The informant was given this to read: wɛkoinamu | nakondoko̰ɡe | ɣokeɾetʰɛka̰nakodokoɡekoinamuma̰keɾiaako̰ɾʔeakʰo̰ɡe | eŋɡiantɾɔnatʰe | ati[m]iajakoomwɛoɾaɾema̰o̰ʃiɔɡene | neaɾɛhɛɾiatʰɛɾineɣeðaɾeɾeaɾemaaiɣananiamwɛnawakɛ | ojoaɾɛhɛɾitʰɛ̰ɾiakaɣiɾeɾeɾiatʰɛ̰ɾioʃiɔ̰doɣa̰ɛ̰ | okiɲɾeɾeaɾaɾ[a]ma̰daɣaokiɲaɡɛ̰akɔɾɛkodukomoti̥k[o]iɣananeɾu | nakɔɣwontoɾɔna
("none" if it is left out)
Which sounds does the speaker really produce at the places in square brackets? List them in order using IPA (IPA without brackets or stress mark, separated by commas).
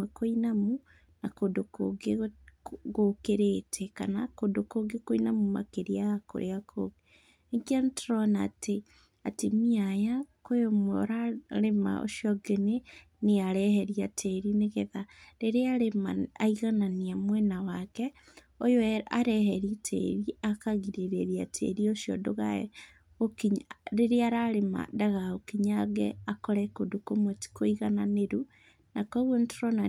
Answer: m, e, o